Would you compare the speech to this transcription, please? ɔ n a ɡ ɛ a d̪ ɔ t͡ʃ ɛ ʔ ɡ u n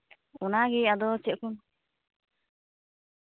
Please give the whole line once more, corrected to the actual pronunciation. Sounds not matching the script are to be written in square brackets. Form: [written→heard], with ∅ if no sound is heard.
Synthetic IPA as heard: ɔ n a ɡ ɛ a d̪ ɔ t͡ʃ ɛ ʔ [ɡ→k] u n